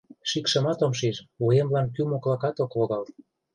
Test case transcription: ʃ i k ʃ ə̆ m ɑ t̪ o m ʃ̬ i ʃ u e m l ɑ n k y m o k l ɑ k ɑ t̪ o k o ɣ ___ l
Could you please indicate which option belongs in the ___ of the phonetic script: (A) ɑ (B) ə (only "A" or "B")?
A